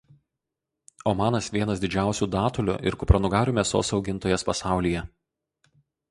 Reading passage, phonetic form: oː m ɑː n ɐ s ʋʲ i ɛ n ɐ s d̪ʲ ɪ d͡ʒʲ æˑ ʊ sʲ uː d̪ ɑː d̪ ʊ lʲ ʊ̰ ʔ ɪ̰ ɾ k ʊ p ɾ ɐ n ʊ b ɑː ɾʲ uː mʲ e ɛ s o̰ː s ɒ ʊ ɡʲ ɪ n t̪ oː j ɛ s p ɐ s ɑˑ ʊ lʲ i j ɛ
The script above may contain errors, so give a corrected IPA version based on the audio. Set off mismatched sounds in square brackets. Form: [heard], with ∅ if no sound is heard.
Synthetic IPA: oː m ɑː n ɐ s ʋʲ i ɛ n ɐ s d̪ʲ ɪ d͡ʒʲ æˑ ʊ sʲ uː d̪ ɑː [t̪] ʊ lʲ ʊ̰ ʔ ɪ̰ ɾ k ʊ p ɾ ɐ n ʊ [ɡ] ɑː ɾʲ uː mʲ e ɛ s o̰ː s ɒ ʊ ɡʲ ɪ n t̪ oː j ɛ s p ɐ s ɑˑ ʊ lʲ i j ɛ